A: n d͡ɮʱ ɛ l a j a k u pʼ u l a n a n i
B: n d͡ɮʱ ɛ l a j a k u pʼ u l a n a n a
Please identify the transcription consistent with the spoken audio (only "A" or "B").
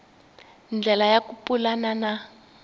B